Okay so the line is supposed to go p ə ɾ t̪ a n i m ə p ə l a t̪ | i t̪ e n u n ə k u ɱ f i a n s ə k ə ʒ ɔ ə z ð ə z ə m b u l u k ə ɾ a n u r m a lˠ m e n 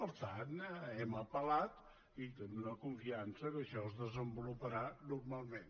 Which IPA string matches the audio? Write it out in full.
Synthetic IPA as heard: p ə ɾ t̪ a n ɛ m ə p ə l a t̪ | i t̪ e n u n ə k u ɱ f i a n s ə k ə ʃ ɔ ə z ð ə z ə m b u l u p ə ɾ a n u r m a lˠ m e n